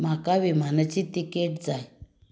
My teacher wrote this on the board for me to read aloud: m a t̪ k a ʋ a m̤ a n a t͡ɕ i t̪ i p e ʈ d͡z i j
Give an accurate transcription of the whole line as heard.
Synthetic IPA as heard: m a k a ʋ i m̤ a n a t͡ɕ i t̪ i k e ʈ d͡z a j